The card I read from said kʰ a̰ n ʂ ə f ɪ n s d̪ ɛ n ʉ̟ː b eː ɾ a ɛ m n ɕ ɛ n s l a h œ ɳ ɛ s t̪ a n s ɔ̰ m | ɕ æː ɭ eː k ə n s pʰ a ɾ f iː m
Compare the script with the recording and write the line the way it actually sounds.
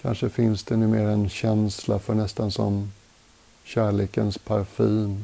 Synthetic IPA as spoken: kʰ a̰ n ʂ ə f ɪ n s d̪ ɛ n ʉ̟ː m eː ɾ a ɛ n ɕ ɛ n s l a f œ ɳ ɛ s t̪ a n s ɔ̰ m | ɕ æː ɭ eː k ə n s pʰ a ɾ f iː m